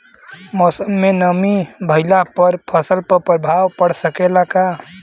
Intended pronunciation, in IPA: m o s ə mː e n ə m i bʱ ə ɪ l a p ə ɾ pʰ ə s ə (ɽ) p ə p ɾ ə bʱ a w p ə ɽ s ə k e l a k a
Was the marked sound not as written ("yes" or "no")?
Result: yes